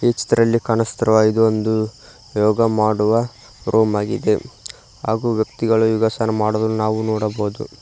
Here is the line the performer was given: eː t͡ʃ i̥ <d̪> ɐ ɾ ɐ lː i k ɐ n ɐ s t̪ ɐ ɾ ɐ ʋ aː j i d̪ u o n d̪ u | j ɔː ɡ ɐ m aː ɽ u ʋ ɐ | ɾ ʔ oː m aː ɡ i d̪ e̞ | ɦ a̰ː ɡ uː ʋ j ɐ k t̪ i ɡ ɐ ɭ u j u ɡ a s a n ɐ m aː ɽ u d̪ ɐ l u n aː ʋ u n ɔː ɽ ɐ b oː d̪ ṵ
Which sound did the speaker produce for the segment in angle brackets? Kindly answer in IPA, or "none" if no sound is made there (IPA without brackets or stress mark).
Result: t̪